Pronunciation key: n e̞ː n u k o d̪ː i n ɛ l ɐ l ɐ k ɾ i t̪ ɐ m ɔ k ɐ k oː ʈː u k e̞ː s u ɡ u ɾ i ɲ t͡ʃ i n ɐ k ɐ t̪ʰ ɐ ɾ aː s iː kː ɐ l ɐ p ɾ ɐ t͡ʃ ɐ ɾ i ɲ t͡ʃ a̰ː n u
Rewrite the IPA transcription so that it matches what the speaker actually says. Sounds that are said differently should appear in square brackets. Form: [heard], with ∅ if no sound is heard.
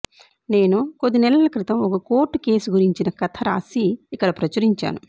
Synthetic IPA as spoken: n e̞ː n u k o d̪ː i n ɛ l ɐ l ɐ k ɾ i t̪ ɐ m ɔ k ɐ k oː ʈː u k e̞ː s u ɡ u ɾ i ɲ t͡ʃ i n ɐ k ɐ t̪ʰ ɐ ɾ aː s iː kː ɐ [ɽ] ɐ p ɾ ɐ t͡ʃ ɐ ɾ i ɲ t͡ʃ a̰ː n u